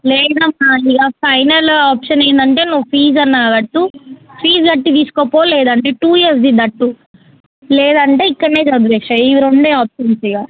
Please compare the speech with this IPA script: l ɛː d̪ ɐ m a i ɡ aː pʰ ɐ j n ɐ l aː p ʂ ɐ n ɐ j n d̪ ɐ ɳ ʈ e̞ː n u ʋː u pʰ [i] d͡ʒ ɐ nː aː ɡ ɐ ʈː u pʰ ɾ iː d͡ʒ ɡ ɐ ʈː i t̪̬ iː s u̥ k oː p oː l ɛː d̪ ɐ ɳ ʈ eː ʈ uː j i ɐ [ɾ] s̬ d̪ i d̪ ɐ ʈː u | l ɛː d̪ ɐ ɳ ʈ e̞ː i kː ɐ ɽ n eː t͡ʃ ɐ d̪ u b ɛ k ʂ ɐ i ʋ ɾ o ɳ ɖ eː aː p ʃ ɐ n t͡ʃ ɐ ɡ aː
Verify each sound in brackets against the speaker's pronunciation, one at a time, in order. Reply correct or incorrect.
incorrect: iː, correct

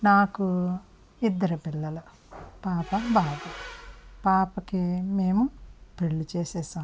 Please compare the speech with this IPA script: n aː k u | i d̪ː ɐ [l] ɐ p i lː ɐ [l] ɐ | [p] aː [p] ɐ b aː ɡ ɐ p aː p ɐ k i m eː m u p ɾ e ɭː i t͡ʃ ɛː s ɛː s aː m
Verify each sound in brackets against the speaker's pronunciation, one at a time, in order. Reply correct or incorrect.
incorrect: ɾ, correct, correct, correct

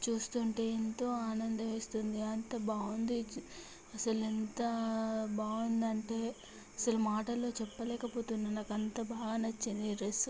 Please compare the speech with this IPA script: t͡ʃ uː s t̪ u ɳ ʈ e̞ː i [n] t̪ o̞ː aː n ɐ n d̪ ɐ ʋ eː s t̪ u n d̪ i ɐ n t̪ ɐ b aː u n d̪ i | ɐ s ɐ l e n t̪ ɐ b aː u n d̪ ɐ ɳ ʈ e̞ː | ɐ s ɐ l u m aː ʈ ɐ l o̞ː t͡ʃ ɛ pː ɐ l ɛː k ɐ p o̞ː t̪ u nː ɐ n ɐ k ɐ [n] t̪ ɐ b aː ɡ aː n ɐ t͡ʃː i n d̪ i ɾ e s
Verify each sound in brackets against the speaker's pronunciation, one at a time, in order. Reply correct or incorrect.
correct, correct

